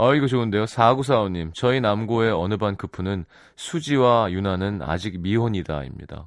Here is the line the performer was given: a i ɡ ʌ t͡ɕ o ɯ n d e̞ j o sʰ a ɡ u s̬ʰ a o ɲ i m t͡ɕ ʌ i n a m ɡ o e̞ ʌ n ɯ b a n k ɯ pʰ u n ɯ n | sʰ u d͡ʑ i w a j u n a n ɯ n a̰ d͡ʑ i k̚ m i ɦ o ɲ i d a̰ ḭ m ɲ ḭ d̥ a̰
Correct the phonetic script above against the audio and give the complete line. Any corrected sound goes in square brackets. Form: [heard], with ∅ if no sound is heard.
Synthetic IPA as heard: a i ɡ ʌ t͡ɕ o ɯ n d e̞ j o sʰ a ɡ u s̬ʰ a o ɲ i m t͡ɕ ʌ i n a m ɡ o e̞ ʌ n ɯ b a n k ɯ pʰ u n ɯ n | sʰ u d͡ʑ i w a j u n a n ɯ n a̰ d͡ʑ i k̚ m i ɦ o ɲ i d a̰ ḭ m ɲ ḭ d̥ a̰